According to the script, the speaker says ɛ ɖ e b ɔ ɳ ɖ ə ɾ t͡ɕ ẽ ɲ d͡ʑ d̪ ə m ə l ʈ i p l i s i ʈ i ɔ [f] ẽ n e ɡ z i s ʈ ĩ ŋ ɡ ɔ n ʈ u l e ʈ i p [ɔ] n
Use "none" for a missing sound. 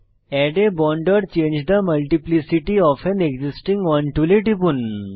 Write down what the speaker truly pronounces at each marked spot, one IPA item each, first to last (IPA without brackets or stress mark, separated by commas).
f, u